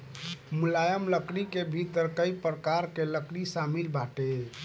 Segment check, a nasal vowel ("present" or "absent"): absent